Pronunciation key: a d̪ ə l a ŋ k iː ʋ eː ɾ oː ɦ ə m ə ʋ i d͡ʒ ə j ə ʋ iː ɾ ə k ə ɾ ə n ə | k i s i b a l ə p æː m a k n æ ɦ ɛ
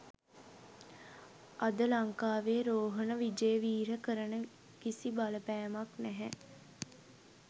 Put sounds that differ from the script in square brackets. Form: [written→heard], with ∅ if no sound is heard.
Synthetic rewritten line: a d̪ ə l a ŋ k [iː→aː] ʋ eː ɾ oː ɦ ə [m→n] ə ʋ i d͡ʒ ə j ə ʋ iː ɾ ə k ə ɾ ə n ə | k i s i b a l ə p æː m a k n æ ɦ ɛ

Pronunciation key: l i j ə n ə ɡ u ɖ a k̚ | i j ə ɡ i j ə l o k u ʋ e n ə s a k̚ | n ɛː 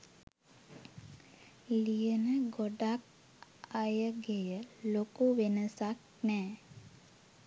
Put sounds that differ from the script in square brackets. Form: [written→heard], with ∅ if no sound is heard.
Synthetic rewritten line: l i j ə n ə ɡ [u→o] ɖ a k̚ | [i→a] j ə ɡ [i→e] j ə l o k u ʋ e n ə s a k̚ | n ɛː

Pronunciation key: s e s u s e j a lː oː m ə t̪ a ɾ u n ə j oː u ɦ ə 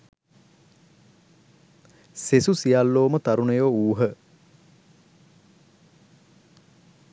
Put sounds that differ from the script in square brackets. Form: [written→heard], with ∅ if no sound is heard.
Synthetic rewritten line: s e s u s [e→i] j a lː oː m ə t̪ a ɾ u n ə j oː [u→uː] ɦ ə

